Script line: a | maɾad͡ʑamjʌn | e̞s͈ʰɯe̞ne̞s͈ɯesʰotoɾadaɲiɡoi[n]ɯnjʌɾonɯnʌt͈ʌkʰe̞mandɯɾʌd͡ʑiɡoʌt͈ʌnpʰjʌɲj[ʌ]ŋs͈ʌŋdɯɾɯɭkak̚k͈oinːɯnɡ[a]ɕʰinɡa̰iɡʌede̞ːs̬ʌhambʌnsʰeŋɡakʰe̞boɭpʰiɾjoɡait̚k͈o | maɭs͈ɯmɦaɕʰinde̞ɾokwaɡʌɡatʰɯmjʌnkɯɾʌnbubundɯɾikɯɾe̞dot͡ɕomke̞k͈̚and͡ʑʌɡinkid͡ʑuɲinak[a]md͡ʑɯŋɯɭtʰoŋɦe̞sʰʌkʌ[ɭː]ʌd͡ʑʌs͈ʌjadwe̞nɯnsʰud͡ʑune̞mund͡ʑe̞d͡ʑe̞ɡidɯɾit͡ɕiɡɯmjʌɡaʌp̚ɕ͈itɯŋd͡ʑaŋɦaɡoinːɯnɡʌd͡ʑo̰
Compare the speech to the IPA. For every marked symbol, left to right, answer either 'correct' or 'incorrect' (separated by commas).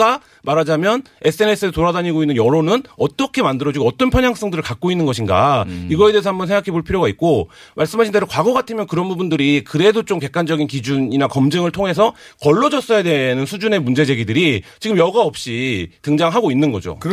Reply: incorrect, incorrect, incorrect, incorrect, correct